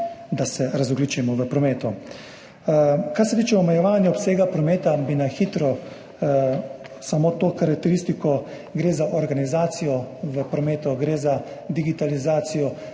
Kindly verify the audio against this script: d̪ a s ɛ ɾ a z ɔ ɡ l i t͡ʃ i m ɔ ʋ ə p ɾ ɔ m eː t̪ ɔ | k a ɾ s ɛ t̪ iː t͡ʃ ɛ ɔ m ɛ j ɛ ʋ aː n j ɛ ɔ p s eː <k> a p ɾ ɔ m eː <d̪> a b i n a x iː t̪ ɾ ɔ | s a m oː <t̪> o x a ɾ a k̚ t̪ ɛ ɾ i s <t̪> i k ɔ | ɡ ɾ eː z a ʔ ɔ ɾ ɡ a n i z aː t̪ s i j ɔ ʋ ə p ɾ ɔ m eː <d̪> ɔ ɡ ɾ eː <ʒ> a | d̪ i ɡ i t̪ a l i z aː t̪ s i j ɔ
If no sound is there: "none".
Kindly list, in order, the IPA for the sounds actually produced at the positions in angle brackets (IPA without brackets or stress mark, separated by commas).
ɡ, t̪, t̪, t̪, t̪, z